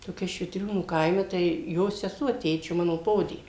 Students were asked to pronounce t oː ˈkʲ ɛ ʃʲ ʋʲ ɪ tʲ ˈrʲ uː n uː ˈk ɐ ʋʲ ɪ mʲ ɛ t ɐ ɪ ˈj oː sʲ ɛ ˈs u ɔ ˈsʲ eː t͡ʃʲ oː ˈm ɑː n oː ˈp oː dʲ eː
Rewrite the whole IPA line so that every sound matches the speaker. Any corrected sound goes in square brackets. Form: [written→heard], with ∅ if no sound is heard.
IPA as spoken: t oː ˈkʲ ɛ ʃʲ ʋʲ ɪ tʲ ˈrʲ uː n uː ˈk ɐ [ʋʲ→∅] ɪ mʲ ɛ t ɐ ɪ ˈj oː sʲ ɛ ˈs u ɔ [ˈsʲ→ˈtʲ] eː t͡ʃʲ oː ˈm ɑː n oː ˈp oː dʲ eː